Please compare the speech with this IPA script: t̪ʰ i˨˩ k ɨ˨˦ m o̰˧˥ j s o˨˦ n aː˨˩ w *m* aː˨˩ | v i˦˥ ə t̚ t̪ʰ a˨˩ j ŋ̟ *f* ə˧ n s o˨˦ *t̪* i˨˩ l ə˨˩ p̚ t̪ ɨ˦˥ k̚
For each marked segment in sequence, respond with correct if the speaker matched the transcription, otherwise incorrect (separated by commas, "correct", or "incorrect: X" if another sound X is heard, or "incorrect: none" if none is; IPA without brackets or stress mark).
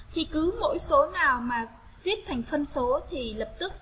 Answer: correct, correct, incorrect: t̪ʰ